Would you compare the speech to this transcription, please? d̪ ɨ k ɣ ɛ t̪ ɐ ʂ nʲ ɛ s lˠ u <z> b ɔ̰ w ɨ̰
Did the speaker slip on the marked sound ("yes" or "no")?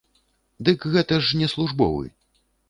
yes